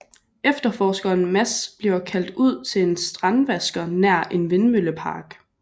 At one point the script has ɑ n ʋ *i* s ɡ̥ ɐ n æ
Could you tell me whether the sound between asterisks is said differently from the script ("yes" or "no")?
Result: yes